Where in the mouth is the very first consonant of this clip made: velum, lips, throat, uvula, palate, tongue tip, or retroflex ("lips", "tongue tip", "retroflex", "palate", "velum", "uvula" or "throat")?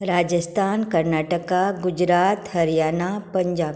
tongue tip